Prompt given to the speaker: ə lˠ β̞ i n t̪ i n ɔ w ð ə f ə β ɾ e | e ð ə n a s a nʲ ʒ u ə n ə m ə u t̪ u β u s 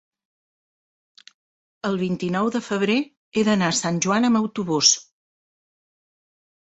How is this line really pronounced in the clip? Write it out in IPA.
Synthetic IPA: ə lˠ β̞ i n t̪ i n ɔ w ð ə f ə β ɾ e | e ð ə n a s a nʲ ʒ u a n ə m ə w t̪ u β u s